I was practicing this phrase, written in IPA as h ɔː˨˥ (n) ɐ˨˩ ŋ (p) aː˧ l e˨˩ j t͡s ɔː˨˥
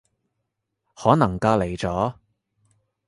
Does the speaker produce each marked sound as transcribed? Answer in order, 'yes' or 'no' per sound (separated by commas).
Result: yes, no